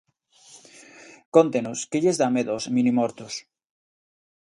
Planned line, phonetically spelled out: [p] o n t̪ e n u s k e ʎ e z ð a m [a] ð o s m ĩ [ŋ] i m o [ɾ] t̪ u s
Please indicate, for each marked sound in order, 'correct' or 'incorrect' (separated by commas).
incorrect, incorrect, incorrect, correct